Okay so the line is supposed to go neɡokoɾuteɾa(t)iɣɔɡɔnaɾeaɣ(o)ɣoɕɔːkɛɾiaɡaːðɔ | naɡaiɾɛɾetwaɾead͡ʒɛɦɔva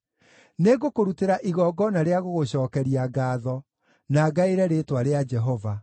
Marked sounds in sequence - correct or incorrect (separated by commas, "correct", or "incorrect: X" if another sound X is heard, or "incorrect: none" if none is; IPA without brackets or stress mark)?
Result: incorrect: ʔ, correct